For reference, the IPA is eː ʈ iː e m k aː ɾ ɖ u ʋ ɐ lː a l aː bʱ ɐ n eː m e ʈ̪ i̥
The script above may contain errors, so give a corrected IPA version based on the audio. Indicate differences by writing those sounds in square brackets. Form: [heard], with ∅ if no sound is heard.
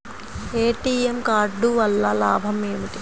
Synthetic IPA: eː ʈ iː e m k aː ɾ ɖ u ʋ ɐ lː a l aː bʱ ɐ [m] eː m [i] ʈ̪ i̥